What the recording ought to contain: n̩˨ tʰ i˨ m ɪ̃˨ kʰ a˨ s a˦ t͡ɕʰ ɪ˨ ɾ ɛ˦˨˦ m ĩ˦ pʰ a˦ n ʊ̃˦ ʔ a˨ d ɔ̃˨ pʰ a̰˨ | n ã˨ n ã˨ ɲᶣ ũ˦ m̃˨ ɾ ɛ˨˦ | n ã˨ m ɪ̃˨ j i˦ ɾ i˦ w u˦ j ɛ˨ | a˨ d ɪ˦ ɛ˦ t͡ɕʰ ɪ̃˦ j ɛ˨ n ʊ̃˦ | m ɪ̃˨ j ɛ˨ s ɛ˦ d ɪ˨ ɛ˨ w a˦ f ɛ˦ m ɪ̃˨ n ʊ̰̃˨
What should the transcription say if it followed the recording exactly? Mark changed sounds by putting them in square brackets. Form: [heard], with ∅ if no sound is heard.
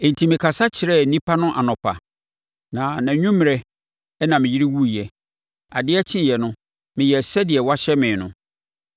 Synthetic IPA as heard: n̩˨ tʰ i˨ m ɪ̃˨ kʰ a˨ s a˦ t͡ɕʰ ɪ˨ ɾ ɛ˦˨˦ [n] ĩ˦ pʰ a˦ n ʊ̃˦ ʔ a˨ [n] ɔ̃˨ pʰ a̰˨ | n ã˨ n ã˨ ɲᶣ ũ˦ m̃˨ ɾ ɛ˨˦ | n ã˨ m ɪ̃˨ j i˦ ɾ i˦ w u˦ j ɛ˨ | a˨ d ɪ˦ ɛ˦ t͡ɕʰ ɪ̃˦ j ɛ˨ n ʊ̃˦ | m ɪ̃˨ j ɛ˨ s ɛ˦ d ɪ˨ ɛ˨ w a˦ [ɕ] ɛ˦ m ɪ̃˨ n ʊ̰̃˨